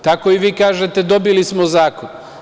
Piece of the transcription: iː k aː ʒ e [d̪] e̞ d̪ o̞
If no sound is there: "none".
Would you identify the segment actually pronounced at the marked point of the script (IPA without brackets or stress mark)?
t̪